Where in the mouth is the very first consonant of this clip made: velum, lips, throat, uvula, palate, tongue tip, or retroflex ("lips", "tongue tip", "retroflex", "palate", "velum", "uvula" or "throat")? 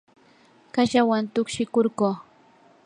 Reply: velum